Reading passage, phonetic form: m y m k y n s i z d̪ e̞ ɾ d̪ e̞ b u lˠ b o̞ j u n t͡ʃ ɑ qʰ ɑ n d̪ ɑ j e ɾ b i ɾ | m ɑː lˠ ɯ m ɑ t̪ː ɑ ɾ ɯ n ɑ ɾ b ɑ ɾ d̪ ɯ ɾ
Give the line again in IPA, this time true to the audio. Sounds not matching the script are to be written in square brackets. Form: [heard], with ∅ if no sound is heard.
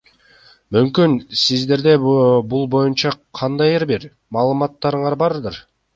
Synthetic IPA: m y m k y n s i z d̪ e̞ ɾ d̪ e̞ b u lˠ b o̞ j u n t͡ʃ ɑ qʰ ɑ n d̪ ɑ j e ɾ b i ɾ | m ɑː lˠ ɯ m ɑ t̪ː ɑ ɾ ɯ [ɴ] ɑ ɾ b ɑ ɾ d̪ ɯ ɾ